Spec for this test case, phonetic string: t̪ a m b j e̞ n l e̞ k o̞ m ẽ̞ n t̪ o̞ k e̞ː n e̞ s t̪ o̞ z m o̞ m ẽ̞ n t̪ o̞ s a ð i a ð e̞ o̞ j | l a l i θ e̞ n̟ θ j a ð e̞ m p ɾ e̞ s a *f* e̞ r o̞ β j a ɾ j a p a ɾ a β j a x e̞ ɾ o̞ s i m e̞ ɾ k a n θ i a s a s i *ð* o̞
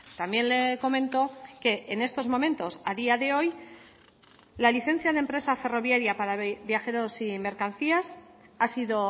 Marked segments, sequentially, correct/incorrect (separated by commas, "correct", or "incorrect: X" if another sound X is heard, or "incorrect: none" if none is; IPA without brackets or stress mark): correct, correct